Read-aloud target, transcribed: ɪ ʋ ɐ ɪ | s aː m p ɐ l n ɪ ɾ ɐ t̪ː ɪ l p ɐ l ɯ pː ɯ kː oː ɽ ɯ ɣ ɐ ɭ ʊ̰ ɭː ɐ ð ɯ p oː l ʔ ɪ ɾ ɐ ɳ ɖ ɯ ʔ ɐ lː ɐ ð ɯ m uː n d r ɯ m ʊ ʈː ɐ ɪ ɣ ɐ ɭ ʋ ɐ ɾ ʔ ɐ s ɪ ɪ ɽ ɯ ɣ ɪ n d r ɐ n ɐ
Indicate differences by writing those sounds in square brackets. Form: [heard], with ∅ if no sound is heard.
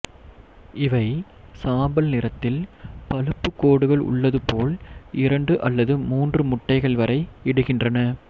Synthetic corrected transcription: ɪ ʋ ɐ ɪ | s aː m [b] ɐ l n ɪ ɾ ɐ t̪ː ɪ l p ɐ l ɯ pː ɯ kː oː ɽ ɯ ɣ ɐ ɭ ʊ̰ ɭː ɐ ð ɯ p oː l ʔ ɪ ɾ ɐ ɳ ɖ ɯ ʔ ɐ lː ɐ ð ɯ m uː n d r ɯ m ʊ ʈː ɐ ɪ ɣ ɐ ɭ ʋ ɐ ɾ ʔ ɐ [∅] ɪ ɪ ɽ ɯ ɣ ɪ n d r ɐ n ɐ

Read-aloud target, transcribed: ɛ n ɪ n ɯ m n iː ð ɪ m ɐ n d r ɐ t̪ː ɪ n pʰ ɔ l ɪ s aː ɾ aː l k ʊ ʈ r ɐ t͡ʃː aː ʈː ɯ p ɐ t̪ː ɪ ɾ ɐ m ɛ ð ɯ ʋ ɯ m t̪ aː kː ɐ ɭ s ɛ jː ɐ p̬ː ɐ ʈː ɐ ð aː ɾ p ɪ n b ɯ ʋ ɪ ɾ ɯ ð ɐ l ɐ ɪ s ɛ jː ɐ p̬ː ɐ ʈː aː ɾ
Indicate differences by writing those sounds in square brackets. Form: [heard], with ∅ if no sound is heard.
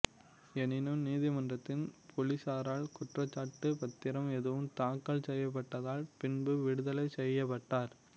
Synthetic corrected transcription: ɛ n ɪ n ɯ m n iː ð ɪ m ɐ n d r ɐ t̪ː ɪ n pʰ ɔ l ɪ s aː ɾ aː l k ʊ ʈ r ɐ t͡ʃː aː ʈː ɯ p ɐ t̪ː ɪ ɾ ɐ m ɛ ð ɯ ʋ ɯ m t̪ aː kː ɐ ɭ s ɛ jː ɐ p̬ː ɐ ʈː ɐ ð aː [l] p ɪ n b ɯ ʋ ɪ [ɽ] ɯ ð ɐ l ɐ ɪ s ɛ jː ɐ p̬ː ɐ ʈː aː ɾ

